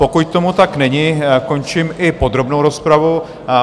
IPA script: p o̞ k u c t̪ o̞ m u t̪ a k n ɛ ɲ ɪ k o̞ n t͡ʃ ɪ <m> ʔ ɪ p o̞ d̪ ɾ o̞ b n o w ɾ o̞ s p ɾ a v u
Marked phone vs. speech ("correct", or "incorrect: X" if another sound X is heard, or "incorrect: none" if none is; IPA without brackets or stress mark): correct